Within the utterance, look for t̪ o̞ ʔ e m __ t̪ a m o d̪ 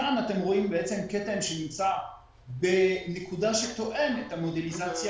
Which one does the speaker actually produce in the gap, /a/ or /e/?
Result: e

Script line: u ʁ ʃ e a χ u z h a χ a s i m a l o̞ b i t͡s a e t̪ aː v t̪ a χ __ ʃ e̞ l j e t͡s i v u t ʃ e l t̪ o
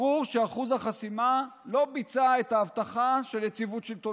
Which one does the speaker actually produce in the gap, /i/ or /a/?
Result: a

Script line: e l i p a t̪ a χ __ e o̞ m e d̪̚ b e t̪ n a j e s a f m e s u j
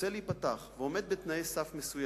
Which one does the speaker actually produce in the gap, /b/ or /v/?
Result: v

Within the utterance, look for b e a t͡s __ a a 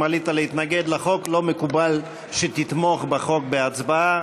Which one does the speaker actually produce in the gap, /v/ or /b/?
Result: b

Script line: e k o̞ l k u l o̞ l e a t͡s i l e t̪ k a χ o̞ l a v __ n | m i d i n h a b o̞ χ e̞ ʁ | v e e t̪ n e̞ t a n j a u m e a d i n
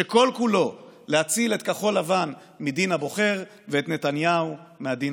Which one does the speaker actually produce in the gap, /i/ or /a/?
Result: a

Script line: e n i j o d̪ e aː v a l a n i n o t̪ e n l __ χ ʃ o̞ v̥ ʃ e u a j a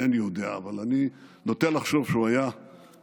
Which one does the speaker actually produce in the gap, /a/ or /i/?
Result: a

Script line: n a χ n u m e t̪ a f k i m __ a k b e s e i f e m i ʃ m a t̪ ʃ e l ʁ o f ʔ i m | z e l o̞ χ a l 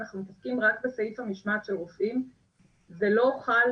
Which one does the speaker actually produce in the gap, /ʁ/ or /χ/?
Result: ʁ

